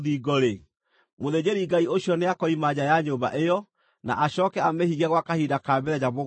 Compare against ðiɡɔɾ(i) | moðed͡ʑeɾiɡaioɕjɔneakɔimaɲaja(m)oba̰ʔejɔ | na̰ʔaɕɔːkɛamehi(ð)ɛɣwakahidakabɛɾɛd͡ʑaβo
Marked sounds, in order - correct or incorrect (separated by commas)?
incorrect, incorrect, incorrect